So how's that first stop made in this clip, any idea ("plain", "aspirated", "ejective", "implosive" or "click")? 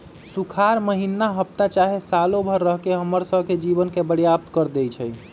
aspirated